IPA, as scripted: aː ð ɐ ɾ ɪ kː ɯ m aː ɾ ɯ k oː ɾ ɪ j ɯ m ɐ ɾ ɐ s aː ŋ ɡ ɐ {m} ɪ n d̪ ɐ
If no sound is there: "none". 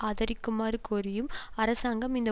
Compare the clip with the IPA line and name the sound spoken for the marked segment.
m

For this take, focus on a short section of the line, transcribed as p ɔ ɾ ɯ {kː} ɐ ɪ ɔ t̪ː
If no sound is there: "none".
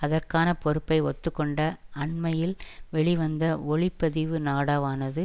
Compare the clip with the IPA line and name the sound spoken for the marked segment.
pː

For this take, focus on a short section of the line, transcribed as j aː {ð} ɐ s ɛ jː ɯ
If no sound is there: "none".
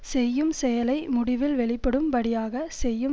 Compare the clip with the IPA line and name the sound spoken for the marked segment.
ɣ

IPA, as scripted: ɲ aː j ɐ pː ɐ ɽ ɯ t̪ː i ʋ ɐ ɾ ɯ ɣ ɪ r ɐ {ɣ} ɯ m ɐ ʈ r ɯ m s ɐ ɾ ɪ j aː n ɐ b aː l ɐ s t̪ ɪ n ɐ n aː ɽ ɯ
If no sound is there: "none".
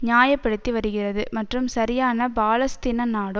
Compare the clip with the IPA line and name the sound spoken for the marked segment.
ð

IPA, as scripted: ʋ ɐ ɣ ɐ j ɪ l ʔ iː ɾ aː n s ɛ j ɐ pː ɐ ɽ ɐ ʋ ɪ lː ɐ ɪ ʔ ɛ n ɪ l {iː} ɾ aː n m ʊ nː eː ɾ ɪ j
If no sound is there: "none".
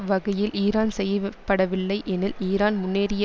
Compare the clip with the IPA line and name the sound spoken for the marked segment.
iː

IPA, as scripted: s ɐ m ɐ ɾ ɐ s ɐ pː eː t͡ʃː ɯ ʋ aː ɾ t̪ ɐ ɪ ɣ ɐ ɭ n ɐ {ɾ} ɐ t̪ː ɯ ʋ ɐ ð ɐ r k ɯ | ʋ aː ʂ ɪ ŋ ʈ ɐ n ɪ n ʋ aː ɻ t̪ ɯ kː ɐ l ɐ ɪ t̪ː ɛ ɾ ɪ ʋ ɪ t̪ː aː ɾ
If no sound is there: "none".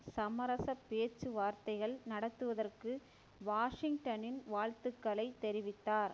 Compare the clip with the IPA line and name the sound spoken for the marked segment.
ɽ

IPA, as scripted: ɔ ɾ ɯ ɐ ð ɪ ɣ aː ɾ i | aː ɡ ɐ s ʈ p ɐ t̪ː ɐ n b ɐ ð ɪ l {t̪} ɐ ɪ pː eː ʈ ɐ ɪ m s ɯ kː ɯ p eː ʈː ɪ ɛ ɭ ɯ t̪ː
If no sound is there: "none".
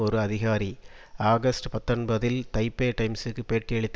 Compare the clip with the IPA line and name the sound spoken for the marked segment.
t̪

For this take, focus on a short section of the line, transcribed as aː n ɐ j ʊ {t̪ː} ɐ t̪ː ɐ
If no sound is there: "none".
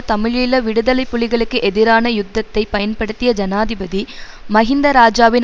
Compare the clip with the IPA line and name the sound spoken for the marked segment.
d̪ː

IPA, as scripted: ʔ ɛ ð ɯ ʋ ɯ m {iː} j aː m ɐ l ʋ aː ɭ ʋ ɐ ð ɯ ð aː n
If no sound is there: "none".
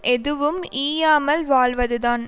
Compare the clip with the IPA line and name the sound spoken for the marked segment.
iː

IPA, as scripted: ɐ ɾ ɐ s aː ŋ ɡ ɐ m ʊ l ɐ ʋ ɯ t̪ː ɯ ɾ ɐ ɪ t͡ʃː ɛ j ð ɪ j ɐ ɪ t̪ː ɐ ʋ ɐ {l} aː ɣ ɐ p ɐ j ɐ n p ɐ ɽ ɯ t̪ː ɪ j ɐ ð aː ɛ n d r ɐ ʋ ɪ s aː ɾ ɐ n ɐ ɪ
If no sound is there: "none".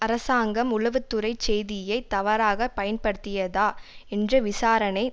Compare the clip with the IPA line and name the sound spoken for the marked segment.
ɾ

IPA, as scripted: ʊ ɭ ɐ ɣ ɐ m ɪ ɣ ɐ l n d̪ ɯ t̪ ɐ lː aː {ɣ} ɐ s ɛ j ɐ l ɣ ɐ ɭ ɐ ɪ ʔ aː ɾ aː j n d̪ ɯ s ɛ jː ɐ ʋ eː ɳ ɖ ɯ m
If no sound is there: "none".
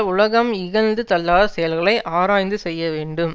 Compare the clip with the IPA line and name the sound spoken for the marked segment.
ð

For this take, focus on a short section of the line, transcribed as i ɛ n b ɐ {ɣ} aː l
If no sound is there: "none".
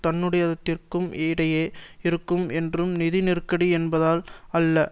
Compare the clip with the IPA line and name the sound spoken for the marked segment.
ð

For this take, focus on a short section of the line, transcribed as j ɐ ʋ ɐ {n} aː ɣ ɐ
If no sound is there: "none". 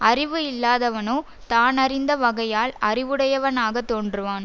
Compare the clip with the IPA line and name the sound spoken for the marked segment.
n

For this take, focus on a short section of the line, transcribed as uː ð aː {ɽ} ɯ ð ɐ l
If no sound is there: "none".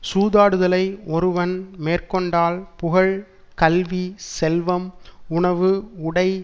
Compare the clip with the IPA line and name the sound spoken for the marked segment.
ɽ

